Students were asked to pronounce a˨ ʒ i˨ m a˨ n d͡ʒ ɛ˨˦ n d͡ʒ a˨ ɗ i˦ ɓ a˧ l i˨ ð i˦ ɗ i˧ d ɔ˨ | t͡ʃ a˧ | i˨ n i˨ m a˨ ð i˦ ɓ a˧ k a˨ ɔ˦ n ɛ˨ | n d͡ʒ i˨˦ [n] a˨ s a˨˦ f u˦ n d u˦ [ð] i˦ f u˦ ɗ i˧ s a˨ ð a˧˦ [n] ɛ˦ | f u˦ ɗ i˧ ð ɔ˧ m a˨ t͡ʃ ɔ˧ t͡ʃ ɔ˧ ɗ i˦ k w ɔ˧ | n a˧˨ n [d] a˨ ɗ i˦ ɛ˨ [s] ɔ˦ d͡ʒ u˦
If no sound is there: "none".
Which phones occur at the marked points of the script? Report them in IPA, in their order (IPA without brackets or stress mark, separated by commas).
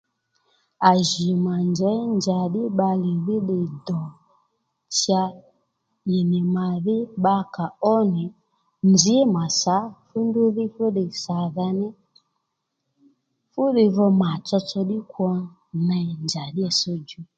m, ð, n, d͡ʒ, s